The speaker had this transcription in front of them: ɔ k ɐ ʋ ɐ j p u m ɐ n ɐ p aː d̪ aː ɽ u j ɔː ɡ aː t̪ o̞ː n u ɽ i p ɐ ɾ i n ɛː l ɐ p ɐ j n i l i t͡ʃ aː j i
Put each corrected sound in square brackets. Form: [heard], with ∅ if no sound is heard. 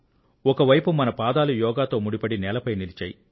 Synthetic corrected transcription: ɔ k ɐ ʋ ɐ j p u m ɐ n ɐ p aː d̪ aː [l] u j ɔː ɡ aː t̪ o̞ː [m] u ɽ i p ɐ [ɽ] i n ɛː l ɐ p ɐ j n i l i t͡ʃ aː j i